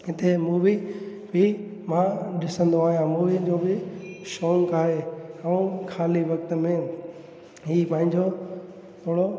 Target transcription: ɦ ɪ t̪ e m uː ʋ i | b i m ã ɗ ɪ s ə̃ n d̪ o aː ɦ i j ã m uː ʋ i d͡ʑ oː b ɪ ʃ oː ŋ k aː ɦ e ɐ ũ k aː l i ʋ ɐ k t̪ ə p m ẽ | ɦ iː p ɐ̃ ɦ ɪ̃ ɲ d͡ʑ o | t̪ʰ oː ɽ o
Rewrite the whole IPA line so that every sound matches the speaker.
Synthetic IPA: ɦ ɪ t̪ e m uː ʋ i | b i m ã ɗ ɪ s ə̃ n d̪ o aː ɦ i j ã m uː ʋ i d͡ʑ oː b ɪ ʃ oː ŋ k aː ɦ e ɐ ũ kʰ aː l i ʋ ɐ k t̪ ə m ẽ | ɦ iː p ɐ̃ ɦ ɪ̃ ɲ d͡ʑ o | t̪ʰ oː ɽ o